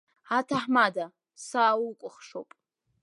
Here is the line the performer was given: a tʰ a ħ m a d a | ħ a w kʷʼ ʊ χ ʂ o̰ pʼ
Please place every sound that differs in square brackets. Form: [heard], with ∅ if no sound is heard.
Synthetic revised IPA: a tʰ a ħ m a d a | [s] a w kʷʼ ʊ χ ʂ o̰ pʼ